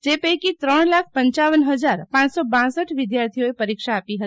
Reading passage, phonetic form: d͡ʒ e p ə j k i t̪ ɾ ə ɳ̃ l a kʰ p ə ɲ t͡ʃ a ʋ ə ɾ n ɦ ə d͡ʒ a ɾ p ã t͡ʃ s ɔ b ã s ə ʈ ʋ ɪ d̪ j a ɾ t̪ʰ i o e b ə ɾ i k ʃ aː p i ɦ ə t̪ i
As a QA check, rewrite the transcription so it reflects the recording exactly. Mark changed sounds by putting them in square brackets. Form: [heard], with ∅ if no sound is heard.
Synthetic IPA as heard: d͡ʒ e p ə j k i t̪ ɾ ə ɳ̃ l a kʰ p ə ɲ t͡ʃ a ʋ ə [∅] n ɦ ə d͡ʒ a ɾ p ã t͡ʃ s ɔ b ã s ə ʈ ʋ ɪ d̪ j a ɾ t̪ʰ i o e [p] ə ɾ i k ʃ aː p i ɦ ə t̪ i